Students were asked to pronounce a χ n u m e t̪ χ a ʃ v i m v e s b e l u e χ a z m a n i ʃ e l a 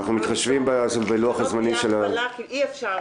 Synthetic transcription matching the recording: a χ n u m i t̪ χ a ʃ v i m b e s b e l u a χ a z m a n i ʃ e l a